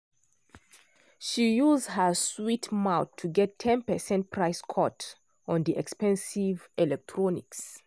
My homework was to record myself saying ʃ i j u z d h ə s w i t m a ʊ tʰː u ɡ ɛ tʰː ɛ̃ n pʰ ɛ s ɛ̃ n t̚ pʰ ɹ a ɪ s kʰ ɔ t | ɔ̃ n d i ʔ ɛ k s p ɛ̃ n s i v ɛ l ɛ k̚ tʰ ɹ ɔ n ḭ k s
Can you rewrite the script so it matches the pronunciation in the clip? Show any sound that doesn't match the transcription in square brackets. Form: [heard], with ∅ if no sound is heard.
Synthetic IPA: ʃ i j u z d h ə s w i t m a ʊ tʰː u ɡ ɛ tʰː ɛ̃ n [p] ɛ s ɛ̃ n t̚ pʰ ɹ a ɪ s kʰ ɔ t | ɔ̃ n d i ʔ ɛ k s p ɛ̃ n s i v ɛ l ɛ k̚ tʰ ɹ ɔ n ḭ k s